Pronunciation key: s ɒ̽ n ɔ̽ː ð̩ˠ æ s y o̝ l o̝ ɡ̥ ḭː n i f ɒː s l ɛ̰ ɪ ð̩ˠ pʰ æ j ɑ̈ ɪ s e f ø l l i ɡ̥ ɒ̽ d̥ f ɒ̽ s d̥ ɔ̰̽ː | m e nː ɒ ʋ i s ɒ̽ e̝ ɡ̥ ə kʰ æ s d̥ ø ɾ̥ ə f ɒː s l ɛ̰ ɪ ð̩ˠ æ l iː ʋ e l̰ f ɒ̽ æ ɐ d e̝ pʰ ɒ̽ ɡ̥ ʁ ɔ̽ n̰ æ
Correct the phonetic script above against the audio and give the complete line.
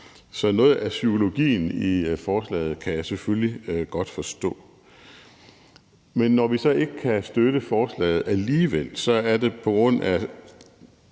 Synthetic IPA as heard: s ɒ̽ n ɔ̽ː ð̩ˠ æ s y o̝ l o̝ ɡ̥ ḭː n i f ɒː s l ɛ̰ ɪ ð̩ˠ kʰ æ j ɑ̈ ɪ s e f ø l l i ɡ̥ ɒ̽ d̥ f ɒ̽ s d̥ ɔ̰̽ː | m e nː ɒ ʋ i s ɒ̽ e̝ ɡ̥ ə kʰ æ s d̥ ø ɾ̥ ə f ɒː s l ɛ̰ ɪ ð̩ˠ æ l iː ʋ e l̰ s ɒ̽ æ ɐ d e̝ pʰ ɒ̽ ɡ̥ ʁ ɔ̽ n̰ æ